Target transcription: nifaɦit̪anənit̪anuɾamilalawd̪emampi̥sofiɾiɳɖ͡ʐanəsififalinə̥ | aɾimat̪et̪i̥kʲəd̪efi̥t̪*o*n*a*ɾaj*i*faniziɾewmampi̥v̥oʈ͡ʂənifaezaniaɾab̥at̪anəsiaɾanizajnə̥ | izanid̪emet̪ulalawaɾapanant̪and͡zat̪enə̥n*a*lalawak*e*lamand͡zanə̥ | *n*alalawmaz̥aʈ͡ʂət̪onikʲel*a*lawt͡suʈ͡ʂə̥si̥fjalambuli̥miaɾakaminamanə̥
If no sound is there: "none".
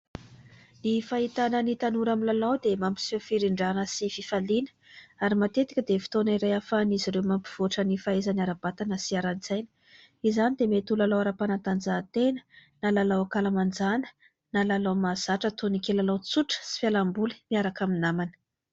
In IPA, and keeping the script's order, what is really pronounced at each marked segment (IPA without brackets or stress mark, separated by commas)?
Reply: o, i, a, a, a, n, a